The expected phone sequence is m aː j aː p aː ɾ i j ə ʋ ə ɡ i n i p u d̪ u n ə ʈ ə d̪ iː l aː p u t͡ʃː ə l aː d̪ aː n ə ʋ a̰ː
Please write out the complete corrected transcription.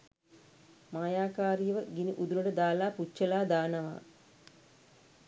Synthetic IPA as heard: m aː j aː k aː ɾ i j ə ʋ ə ɡ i n i ʔ u d̪ u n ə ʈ ə d̪ aː l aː p u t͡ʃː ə l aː d̪ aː n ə ʋ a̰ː